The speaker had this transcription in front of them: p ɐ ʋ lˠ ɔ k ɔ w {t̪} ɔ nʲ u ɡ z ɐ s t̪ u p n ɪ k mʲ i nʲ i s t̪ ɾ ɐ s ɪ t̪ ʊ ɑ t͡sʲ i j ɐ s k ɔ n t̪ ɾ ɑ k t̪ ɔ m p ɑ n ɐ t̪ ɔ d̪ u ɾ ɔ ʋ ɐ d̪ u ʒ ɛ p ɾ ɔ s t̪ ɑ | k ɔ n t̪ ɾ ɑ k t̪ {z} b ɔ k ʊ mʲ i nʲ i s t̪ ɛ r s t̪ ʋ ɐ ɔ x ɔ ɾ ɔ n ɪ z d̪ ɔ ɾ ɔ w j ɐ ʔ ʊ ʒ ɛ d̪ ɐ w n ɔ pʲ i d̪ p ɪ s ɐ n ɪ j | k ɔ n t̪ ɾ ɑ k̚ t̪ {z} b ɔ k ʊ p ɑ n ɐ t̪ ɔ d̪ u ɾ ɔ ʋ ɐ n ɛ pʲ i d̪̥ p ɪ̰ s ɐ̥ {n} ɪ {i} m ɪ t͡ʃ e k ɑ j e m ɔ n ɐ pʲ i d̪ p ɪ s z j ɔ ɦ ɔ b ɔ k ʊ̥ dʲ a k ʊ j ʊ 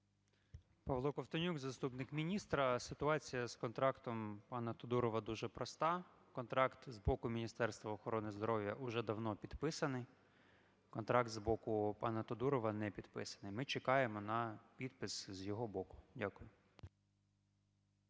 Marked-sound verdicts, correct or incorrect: correct, correct, correct, correct, incorrect

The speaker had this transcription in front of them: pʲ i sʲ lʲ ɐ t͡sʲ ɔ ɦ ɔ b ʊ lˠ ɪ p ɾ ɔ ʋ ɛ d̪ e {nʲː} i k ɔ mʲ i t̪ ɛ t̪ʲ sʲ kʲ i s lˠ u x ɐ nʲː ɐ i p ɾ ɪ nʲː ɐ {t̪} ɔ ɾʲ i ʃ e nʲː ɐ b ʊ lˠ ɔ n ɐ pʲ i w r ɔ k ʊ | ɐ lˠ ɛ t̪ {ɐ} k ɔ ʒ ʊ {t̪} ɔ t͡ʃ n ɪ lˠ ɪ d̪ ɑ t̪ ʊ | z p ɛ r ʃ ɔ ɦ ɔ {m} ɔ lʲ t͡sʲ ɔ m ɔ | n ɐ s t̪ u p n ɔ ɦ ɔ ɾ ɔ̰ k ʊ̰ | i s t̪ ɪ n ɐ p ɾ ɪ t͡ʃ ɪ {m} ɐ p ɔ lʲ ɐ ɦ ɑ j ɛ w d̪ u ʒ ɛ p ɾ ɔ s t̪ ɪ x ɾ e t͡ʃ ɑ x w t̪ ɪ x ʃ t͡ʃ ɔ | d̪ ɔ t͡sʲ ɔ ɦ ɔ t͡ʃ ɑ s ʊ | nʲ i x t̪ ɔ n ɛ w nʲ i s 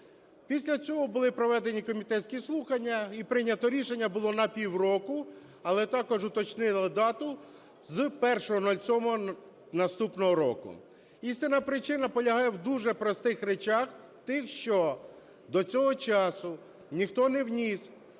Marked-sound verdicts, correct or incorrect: incorrect, correct, incorrect, correct, incorrect, incorrect

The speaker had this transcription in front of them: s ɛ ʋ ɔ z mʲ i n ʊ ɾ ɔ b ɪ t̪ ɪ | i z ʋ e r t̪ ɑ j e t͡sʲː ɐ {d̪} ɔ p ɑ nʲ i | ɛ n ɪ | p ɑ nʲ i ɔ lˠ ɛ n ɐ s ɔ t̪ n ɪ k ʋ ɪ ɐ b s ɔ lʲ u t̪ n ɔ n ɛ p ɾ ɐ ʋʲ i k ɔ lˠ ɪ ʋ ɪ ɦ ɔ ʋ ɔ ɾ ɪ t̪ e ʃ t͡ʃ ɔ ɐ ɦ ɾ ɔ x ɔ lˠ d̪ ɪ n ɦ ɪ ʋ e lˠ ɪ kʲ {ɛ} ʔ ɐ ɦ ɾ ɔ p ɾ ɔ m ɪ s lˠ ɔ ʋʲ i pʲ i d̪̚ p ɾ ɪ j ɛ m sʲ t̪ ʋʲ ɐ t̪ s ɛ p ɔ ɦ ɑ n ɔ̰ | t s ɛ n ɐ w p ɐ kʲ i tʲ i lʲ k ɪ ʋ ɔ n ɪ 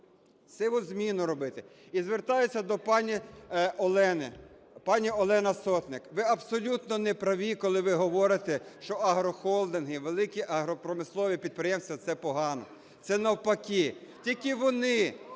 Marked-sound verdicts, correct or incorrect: correct, incorrect

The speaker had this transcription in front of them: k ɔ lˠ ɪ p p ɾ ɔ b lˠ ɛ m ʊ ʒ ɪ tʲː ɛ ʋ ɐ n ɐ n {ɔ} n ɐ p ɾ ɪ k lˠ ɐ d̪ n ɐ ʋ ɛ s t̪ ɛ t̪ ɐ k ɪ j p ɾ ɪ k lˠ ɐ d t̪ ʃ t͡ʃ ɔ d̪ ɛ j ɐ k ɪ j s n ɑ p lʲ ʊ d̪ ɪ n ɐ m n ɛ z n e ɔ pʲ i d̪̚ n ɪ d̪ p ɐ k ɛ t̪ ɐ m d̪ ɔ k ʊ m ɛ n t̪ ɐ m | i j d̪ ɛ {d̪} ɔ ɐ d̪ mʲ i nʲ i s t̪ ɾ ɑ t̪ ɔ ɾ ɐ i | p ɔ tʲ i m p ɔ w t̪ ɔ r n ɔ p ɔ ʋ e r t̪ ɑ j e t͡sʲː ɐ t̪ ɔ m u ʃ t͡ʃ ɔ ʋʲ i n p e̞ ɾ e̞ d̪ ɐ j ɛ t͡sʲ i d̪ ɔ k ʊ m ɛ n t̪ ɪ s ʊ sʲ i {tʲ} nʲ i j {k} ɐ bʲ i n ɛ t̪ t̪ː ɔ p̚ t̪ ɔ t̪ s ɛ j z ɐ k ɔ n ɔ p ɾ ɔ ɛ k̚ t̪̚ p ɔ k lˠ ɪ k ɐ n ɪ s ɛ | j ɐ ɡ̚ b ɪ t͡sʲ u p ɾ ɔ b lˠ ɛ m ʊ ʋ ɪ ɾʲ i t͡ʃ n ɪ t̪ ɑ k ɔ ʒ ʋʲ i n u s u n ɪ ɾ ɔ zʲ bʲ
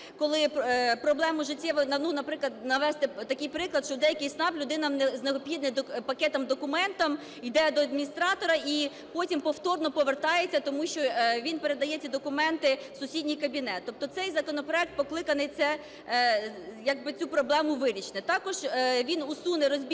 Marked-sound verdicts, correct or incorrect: incorrect, correct, incorrect, correct

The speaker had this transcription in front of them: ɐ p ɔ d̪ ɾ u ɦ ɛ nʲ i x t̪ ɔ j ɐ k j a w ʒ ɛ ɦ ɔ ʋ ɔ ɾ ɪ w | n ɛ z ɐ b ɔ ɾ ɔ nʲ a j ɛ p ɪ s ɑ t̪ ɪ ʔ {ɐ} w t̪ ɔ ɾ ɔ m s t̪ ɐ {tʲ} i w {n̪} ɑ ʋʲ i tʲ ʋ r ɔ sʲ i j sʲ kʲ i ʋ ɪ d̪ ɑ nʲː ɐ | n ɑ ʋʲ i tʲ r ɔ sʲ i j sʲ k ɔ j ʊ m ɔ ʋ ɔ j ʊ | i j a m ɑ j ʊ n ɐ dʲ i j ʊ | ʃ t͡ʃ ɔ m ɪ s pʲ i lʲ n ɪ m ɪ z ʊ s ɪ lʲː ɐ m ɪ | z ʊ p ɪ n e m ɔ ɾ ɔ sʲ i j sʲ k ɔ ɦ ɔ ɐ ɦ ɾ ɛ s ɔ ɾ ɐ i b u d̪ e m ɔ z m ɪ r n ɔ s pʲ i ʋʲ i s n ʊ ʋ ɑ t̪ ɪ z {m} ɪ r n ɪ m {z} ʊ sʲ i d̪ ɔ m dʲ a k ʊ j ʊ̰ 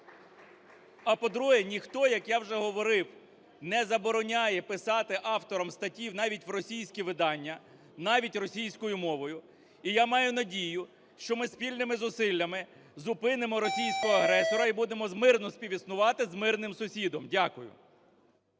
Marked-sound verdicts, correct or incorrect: incorrect, correct, correct, correct, incorrect

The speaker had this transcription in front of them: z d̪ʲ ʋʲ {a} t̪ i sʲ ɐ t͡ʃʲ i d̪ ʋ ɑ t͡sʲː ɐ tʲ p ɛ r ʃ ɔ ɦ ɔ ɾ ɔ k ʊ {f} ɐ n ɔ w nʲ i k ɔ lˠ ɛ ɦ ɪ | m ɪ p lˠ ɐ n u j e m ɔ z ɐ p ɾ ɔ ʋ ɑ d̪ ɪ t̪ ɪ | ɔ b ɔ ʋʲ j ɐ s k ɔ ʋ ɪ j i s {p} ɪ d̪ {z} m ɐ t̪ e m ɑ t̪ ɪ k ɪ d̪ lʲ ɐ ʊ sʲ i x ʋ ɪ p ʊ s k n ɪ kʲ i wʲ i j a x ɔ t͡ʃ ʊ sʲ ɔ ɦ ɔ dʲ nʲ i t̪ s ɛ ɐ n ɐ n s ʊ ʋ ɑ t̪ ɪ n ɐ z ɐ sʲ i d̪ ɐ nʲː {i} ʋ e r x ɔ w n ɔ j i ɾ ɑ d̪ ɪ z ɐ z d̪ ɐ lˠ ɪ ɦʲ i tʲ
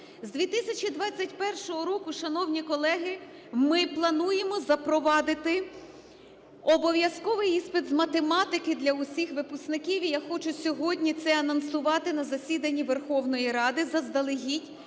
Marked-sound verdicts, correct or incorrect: incorrect, incorrect, correct, correct, correct

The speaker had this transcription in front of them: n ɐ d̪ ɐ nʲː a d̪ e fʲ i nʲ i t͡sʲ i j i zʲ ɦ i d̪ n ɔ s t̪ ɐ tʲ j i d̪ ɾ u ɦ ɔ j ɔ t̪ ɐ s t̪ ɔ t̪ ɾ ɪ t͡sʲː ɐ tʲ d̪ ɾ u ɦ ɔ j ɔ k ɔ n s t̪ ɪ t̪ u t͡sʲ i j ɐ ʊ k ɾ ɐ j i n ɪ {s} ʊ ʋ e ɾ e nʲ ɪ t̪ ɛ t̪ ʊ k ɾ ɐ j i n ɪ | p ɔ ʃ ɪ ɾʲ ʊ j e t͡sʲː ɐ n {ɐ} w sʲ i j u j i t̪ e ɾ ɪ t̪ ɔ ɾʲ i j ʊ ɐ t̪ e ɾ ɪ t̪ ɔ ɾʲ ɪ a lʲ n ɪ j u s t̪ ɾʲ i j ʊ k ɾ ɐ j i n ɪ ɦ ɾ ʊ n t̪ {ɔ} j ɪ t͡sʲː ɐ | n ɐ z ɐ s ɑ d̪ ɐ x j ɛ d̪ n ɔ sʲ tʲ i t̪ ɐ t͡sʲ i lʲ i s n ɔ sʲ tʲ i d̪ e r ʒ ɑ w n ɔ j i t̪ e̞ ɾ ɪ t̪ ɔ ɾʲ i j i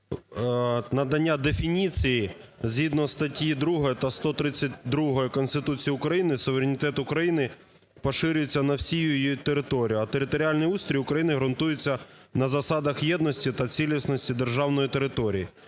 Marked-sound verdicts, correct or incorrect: correct, correct, incorrect

